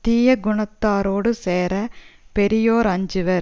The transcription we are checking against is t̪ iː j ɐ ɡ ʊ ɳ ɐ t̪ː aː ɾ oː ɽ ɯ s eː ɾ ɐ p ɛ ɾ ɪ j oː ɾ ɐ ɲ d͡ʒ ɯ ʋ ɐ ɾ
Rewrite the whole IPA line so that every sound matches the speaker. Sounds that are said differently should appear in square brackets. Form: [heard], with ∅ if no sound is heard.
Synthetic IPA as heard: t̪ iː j ɐ ɡ ʊ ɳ ɐ t̪ː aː ɾ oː ɽ ɯ s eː ɾ ɐ p ɛ ɾ ɪ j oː ɾ ɐ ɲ d͡ʒ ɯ ʋ ɐ ɾ